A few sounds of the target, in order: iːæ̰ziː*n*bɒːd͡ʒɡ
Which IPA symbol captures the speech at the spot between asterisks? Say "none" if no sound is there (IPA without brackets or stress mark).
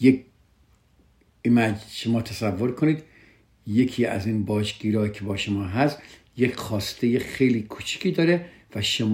n